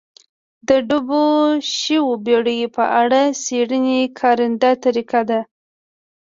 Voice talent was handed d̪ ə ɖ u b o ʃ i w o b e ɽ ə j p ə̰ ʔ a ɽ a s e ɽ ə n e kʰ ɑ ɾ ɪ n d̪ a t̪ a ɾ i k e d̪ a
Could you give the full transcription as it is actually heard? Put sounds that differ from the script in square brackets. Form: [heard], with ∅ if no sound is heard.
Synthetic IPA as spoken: d̪ ə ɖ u b o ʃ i w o b e ɽ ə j p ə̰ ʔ a ɽ a s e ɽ ə n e kʰ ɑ ɾ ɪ n d̪ a t̪ a ɾ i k [a] d̪ a